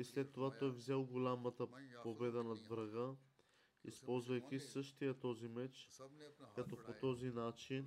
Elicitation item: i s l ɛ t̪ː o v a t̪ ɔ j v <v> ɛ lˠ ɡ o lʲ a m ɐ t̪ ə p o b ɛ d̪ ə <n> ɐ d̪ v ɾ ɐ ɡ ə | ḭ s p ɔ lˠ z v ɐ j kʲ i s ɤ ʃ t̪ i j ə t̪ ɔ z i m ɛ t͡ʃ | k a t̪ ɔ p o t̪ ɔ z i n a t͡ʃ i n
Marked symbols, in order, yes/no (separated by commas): no, yes